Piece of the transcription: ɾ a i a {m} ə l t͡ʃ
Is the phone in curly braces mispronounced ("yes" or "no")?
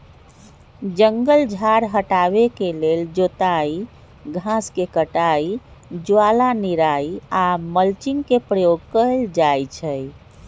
no